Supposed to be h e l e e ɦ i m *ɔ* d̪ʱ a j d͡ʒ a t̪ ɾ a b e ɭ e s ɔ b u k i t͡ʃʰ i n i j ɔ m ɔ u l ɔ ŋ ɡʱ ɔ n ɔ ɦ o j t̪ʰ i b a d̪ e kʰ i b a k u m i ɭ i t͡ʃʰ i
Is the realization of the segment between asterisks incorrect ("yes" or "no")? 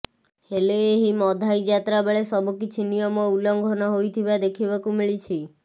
no